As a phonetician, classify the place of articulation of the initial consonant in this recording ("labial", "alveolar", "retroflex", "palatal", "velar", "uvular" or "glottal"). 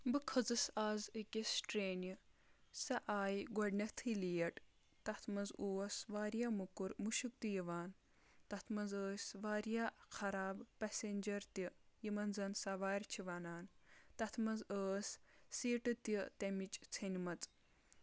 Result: labial